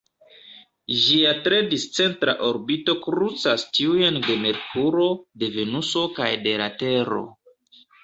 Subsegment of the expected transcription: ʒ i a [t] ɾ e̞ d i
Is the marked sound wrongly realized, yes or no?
no